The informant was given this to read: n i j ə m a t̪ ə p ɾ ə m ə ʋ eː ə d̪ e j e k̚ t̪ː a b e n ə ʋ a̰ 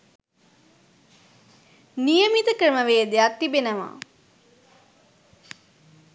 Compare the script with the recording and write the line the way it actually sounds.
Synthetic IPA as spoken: n i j ə m i t̪ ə k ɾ ə m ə ʋ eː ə d̪ e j a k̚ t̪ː i b e n ə ʋ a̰